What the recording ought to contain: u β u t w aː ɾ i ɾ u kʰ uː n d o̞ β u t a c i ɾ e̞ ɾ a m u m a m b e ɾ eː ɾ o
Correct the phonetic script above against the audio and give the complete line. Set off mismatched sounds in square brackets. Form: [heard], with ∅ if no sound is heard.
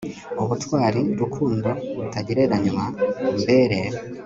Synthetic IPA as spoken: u β u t w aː ɾ i ɾ u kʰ uː n d o̞ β u t a [ɟ] i ɾ e̞ ɾ a [ɲ] u m a m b e ɾ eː ɾ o

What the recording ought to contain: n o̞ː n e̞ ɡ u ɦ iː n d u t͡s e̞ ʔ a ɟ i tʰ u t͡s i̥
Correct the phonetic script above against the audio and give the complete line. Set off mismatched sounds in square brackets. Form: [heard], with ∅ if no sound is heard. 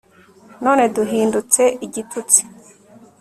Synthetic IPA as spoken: n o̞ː n e̞ [d] u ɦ iː n d u t͡s e̞ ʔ [i] ɟ i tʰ u t͡s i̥

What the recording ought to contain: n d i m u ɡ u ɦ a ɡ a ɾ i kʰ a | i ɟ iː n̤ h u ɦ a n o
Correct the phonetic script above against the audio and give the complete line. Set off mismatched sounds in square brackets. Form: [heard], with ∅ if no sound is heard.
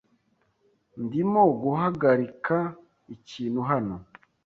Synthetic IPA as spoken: n d i m [o] ɡ u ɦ a ɡ a ɾ i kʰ a | i [c] iː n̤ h u ɦ a n o

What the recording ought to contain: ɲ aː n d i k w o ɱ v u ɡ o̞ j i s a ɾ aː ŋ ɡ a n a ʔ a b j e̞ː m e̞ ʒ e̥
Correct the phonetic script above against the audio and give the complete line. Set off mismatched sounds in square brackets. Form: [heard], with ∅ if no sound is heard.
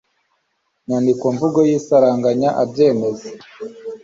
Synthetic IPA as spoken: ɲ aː n d i k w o ɱ v u ɡ o̞ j i s a ɾ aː ŋ ɡ a [ɲ] a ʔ a b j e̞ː m e̞ [z] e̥

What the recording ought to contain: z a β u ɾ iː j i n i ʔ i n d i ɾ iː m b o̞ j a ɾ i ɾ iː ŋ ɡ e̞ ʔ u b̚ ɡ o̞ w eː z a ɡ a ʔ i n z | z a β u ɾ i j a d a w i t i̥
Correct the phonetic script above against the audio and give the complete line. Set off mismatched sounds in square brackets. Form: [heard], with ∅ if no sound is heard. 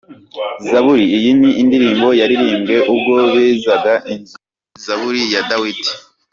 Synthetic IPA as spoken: z a β u ɾ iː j i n i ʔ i n d i ɾ iː m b o̞ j a ɾ i ɾ iː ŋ ɡ e̞ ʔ u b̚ ɡ o̞ [β] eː z a ɡ a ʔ i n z | z a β u ɾ i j a d a w i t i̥

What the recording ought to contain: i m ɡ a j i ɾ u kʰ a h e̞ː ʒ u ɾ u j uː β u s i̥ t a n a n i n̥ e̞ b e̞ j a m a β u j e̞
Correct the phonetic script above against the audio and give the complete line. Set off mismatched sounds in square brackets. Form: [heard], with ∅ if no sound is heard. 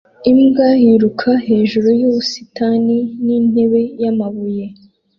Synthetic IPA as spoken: i m ɡ a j i ɾ u kʰ a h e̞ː ʒ u ɾ u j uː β u s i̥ t a n [i] n i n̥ e̞ [β] e̞ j a m a β u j e̞

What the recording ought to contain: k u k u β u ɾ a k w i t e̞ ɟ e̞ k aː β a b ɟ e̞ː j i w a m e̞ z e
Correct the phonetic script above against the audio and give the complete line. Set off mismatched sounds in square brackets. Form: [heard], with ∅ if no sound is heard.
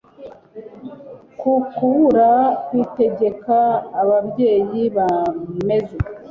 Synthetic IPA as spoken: k u k u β u ɾ a k w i t e̞ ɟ e̞ k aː β a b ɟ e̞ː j i [β] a m e̞ z e

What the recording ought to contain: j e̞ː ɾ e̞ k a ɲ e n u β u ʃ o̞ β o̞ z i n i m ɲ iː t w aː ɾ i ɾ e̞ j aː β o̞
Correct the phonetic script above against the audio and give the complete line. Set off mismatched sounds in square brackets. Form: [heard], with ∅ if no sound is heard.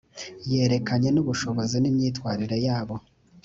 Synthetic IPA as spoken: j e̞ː ɾ e̞ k a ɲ e n u β u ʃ o̞ β o̞ z i n i m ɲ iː t w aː ɾ i ɾ e̞ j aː β o̞

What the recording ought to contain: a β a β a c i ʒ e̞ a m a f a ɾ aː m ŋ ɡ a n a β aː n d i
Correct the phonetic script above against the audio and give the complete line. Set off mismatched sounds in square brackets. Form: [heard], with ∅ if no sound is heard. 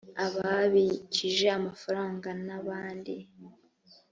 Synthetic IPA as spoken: a β a β [i] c i ʒ e̞ a m a f a ɾ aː [∅] ŋ ɡ a n a β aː n d i

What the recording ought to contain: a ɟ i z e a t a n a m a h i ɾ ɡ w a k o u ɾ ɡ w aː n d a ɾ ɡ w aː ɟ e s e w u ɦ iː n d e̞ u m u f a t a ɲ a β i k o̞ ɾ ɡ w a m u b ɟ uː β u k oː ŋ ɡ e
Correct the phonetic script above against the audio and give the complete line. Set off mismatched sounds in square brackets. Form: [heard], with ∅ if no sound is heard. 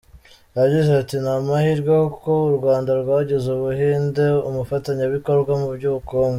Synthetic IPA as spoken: a ɟ i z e a t [i] n a m a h i ɾ ɡ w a k o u ɾ ɡ w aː n d a ɾ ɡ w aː ɟ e [z] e [β] u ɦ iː n d e̞ u m u f a t a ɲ a β i k o̞ ɾ ɡ w a m u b ɟ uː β u k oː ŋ ɡ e

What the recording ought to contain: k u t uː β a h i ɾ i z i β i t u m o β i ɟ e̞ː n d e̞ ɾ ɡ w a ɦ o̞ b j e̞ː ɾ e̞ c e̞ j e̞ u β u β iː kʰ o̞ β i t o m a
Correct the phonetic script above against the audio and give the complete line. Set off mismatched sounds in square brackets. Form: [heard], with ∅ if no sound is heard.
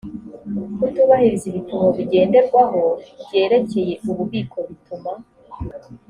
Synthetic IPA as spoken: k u t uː β a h i ɾ i z i β i t u m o β i ɟ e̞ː n d e̞ ɾ ɡ w a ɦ o̞ b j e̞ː ɾ e̞ c e̞ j e̞ u β u β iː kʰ o̞ β i t [u] m a

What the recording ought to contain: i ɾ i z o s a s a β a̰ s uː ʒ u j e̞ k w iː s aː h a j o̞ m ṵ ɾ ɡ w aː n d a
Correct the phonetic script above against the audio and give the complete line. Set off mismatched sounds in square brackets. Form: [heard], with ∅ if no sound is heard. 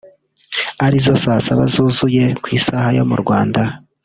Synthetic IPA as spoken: [a] ɾ i z o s a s a β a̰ [z] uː [z] u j e̞ k w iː s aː h a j o̞ m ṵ ɾ ɡ w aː n d a

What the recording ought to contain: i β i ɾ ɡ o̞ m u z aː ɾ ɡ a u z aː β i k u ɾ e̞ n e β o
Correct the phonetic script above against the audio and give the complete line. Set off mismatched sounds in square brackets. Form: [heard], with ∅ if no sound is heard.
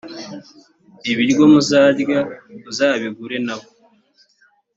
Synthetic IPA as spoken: i β i ɾ ɡ o̞ m u z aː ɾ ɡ a u z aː β i [ɡ] u ɾ e̞ n [a] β o

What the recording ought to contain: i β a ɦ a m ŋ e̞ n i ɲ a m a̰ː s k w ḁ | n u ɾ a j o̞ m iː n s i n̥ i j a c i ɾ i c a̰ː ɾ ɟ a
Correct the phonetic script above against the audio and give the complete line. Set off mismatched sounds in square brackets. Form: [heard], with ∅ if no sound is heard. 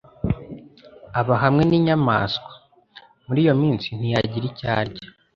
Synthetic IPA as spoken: [a] β a ɦ a m ŋ e̞ n i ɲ a m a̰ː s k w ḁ | [m] u ɾ [i] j o̞ m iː n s i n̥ i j a [ɟ] i ɾ i c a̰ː ɾ ɟ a

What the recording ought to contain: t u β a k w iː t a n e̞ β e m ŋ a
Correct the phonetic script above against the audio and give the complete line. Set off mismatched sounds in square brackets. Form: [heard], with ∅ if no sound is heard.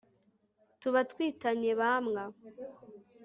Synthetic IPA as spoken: t u β a [t] w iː t a [ɲ] e̞ β [a] m ŋ a

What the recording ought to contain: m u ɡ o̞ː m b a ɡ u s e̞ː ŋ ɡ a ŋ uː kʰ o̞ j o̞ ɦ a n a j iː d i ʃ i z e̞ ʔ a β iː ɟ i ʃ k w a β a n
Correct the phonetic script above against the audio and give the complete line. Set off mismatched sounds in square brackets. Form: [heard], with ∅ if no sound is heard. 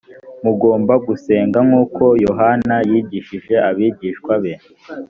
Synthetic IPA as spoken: m u ɡ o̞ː m b a ɡ u s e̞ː ŋ ɡ a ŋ uː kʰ o̞ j o̞ ɦ a n a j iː [ɟ] i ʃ i [ʒ] e̞ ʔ a β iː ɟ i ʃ k w a β [e] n

